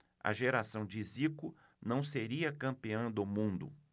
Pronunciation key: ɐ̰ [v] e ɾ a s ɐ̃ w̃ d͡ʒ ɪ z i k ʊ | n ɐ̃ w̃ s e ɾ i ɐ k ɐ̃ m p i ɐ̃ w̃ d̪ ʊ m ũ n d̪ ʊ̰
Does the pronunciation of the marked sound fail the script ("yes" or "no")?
yes